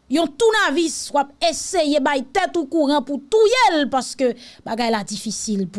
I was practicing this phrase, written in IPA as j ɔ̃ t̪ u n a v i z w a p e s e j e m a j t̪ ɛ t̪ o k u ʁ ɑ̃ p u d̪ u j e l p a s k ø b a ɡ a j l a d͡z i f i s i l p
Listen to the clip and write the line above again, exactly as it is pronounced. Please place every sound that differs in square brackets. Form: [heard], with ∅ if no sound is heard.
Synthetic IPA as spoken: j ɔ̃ t̪ u n a v i [s] w a p e s e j e [b] a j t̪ ɛ t̪ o k u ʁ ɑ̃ p u [t̪] u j e l p a s k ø b a ɡ a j l a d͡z i f i s i l p